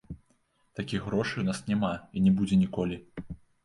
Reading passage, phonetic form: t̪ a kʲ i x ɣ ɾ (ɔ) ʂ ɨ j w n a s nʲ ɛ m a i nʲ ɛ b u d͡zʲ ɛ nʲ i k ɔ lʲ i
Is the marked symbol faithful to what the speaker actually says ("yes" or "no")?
yes